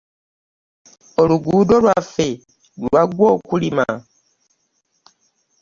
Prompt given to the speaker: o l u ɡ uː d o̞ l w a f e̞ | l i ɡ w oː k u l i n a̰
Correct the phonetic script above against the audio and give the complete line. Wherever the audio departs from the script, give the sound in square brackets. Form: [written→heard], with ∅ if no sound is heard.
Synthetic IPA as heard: o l u ɡ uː d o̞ l w a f e̞ | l [i→a] ɡ w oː k u l i [n→m] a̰